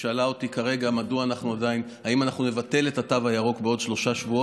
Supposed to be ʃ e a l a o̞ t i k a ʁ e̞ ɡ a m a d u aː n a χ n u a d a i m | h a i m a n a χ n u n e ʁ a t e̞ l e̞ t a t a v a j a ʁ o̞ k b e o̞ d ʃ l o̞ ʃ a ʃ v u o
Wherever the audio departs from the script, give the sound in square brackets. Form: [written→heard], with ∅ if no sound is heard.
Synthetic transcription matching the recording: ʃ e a l a o̞ t i k a ʁ e̞ ɡ a m a d u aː n a χ n u a d a i [m→n] | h a i m a n a χ n u n e [ʁ→v] a t e̞ l e̞ t a t a v a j a ʁ o̞ k b e o̞ d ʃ l o̞ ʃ a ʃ v u o

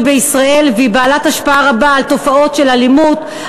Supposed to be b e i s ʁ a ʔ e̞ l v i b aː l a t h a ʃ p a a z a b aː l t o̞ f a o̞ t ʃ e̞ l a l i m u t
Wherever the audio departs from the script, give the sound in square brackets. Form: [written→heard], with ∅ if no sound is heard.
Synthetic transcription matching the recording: b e i s ʁ a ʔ e̞ l v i b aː l a t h a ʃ p a a [z→ʁ] a b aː l t o̞ f a o̞ t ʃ e̞ l a l i m u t

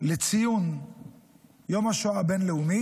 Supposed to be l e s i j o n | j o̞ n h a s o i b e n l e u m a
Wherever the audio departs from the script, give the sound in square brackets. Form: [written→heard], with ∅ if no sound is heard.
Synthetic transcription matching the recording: l e [s→t͡s] i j [o→u] n | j o̞ [n→m] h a [s→ʃ] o [i→a] b e n l e u m [a→i]

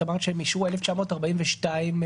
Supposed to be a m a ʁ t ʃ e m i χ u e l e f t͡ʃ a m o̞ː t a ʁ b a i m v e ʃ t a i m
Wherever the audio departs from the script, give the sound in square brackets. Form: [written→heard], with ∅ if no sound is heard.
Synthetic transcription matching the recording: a m a ʁ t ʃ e m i [χ→ʃ] u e l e f t͡ʃ a m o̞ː t a ʁ b a i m v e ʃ t a i m

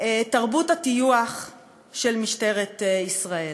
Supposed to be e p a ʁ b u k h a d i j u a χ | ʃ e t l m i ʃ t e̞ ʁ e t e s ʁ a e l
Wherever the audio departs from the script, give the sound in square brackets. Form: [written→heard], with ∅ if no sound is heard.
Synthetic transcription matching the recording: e [p→t] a ʁ b u [k→t] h a [d→t] i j u a χ | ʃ e [t→∅] l m i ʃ t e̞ ʁ e t [e→i] s ʁ a e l

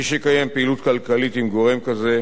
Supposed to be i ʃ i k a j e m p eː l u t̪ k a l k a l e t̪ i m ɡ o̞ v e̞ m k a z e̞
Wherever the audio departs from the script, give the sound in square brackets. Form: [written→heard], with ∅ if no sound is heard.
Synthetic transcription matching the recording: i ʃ [i→e] k a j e m p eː l u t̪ k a l k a l [e→i] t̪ i m ɡ o̞ [v→ʁ] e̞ m k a z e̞

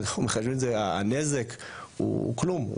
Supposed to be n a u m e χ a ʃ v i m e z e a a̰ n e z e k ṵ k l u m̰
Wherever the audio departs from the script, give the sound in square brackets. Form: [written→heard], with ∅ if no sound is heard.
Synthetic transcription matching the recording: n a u m e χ a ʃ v i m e z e a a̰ n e z e k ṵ k l u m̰

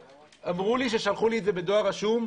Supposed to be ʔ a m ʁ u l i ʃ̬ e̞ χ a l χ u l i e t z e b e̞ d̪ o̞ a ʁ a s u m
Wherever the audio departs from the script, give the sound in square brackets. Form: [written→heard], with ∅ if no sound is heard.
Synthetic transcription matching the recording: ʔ a m ʁ u l i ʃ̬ e̞ [χ→ʃ] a l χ u l i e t z e b e̞ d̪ o̞ a ʁ a [s→ʃ] u m

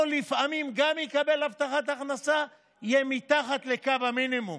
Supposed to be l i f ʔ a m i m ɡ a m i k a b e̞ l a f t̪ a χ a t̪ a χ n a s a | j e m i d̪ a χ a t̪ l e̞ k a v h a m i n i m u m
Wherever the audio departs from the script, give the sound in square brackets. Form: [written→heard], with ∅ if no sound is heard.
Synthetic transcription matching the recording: l i f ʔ a m i m ɡ a m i k a b e̞ l a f t̪ a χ a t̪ a χ n a s a | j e m i [d̪→t̪] a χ a t̪ l e̞ k a v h a m i n i m u m

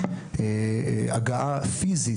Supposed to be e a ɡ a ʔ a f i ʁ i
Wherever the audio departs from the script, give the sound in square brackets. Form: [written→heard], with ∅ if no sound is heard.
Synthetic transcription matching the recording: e a ɡ a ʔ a f i [ʁ→z] i

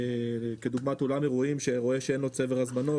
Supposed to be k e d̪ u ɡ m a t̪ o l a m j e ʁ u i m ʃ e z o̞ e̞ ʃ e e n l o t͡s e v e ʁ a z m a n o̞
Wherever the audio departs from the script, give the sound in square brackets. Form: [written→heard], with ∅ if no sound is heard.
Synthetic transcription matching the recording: k e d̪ u ɡ m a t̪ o l a m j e ʁ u i m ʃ e [z→ʁ] o̞ e̞ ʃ e e n l o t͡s e v e ʁ a z m a n o̞

